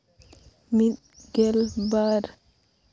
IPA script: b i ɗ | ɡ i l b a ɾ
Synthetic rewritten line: m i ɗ | ɡ ɛ l b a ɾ